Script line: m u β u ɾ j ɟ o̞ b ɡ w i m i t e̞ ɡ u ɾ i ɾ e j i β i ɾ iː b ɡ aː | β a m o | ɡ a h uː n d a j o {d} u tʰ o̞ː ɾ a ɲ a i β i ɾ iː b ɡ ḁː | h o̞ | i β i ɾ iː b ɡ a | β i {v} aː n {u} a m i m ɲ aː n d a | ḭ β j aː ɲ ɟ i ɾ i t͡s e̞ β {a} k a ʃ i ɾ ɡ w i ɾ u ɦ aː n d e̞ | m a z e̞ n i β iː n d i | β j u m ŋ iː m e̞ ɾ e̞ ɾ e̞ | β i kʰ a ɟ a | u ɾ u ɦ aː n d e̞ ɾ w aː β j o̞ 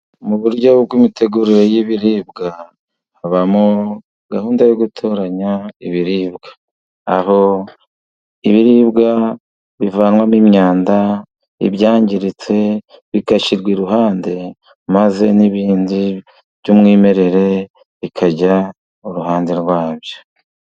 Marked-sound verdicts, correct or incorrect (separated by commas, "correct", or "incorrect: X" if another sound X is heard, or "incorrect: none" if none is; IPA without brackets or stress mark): incorrect: ɡ, correct, incorrect: w, incorrect: i